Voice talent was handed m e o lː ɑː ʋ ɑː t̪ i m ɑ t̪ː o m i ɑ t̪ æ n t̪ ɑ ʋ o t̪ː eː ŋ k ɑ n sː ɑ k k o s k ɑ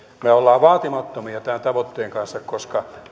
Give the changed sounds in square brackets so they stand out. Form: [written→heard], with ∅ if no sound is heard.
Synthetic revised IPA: m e o lː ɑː ʋ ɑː t̪ i m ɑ t̪ː o m i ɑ t̪ æ n t̪ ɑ ʋ o t̪ː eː ŋ k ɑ n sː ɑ k k o s k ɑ